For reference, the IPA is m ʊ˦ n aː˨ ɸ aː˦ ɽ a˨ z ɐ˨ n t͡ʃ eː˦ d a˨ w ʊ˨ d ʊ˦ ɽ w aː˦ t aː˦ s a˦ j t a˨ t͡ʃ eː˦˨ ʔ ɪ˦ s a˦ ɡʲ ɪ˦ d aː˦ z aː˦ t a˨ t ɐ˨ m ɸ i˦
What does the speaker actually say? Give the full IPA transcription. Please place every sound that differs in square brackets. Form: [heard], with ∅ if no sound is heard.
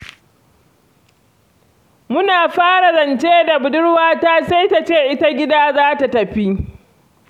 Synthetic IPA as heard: m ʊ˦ n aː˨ ɸ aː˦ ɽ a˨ z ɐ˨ n t͡ʃ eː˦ d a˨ [b] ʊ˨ d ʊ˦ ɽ w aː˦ t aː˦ s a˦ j t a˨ t͡ʃ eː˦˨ ʔ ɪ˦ [t] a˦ ɡʲ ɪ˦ d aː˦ z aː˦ t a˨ t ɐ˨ [∅] ɸ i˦